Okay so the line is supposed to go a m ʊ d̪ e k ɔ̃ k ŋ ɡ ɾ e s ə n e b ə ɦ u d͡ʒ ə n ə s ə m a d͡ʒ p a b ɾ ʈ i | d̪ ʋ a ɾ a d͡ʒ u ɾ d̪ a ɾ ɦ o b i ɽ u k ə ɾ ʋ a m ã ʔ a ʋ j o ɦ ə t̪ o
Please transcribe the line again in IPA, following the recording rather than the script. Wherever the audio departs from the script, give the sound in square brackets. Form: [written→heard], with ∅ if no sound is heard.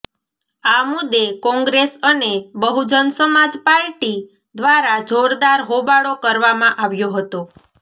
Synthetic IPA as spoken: a m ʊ d̪ e k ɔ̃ [k→∅] ŋ ɡ ɾ e s ə n e b ə ɦ u d͡ʒ ə n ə s ə m a d͡ʒ p a [b→∅] ɾ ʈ i | d̪ ʋ a ɾ a d͡ʒ [u→o] ɾ d̪ a ɾ ɦ o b [i→a] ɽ [u→o] k ə ɾ ʋ a m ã ʔ a ʋ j o ɦ ə t̪ o